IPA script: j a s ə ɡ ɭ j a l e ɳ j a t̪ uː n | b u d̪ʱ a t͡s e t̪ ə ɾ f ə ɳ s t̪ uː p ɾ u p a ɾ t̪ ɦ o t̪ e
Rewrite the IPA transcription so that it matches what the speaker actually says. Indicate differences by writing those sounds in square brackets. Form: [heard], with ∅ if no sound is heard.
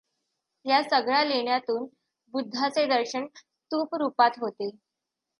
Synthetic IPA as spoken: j a s ə ɡ ɭ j a l e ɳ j a t̪ uː n | b u [d̪ʱː] a t͡s e [d̪] ə ɾ [ɕ] ə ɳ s t̪ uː p ɾ u p a [∅] t̪ ɦ o t̪ e